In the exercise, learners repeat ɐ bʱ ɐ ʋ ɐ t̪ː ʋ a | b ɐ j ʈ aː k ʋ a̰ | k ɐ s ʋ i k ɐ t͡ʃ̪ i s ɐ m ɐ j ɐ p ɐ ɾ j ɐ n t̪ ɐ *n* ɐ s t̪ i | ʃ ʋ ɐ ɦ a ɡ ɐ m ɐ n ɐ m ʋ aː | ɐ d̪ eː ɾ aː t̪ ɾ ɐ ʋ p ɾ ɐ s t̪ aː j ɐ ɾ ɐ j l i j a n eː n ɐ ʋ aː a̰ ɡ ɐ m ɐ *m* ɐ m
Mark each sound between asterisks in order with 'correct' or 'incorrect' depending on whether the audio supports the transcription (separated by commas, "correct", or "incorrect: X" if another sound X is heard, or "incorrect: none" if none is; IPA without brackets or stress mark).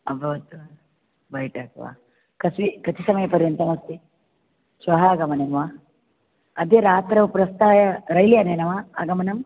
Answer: incorrect: m, incorrect: n